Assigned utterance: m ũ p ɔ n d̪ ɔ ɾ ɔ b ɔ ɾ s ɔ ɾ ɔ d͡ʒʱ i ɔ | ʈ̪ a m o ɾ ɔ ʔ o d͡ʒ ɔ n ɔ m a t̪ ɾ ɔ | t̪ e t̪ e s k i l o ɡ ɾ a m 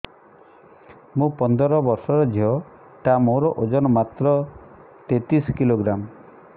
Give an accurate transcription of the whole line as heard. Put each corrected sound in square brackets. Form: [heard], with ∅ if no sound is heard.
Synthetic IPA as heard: m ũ p ɔ n d̪ ɔ ɾ ɔ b ɔ ɾ s ɔ ɾ ɔ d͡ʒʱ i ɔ | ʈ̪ a m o ɾ ɔ ʔ o d͡ʒ ɔ n ɔ m a t̪ ɾ ɔ | t̪ e t̪ [i] s k i l o ɡ ɾ a m